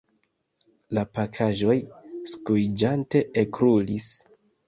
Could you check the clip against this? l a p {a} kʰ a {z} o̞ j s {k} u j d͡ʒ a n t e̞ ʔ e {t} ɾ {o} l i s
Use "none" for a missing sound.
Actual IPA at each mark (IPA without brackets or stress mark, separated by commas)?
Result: a, ʒ, k, k, u